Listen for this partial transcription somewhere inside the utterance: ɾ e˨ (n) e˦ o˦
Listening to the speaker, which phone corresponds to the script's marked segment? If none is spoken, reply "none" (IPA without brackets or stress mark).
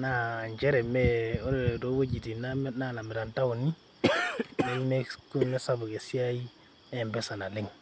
m